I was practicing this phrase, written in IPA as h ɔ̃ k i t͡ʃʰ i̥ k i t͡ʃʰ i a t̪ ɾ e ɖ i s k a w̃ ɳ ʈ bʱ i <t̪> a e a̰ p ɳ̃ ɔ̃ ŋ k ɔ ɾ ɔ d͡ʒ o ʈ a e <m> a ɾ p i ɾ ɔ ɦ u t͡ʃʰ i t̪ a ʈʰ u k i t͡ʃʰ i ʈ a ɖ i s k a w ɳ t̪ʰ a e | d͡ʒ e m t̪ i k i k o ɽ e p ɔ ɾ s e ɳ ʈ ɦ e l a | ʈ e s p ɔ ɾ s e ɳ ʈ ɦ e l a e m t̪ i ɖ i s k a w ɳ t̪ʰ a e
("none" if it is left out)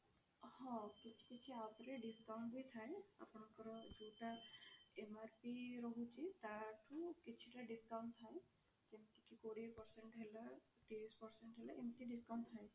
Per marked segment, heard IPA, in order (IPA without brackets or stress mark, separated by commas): t̪ʰ, m